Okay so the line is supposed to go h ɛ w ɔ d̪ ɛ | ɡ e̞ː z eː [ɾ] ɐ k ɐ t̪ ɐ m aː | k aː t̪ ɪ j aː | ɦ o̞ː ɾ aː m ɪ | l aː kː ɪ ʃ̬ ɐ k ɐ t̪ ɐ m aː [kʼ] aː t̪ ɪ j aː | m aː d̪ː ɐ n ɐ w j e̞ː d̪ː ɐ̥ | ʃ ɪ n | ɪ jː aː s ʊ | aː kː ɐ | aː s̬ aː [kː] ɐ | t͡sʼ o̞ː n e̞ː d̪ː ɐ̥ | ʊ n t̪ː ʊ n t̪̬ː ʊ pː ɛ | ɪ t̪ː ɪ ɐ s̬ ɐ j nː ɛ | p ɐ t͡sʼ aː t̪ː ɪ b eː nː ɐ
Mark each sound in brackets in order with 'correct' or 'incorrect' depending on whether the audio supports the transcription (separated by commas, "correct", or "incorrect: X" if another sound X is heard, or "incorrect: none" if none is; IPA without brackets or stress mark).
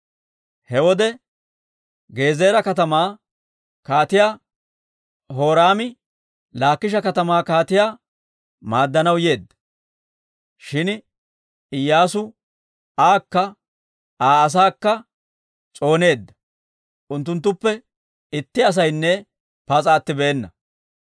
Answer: correct, incorrect: k, correct